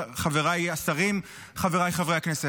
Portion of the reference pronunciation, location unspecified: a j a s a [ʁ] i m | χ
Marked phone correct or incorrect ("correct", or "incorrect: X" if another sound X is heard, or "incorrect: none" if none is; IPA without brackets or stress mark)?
correct